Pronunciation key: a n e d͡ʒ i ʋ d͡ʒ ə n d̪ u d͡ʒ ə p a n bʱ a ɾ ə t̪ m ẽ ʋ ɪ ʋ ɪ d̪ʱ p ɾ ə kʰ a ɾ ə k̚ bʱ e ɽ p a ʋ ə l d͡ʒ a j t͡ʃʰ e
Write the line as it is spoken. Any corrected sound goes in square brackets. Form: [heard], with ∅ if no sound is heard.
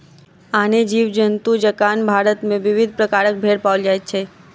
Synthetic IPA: a n e d͡ʒ i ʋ d͡ʒ ə n [t̪] u d͡ʒ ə [k] a n bʱ a ɾ ə t̪ m ẽ ʋ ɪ ʋ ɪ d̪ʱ p ɾ ə [k] a ɾ ə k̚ bʱ e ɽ p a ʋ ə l d͡ʒ a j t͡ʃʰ e